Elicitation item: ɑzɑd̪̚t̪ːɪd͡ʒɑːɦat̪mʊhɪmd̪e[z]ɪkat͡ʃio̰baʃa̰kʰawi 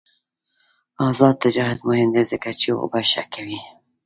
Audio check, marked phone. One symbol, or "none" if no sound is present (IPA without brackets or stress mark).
z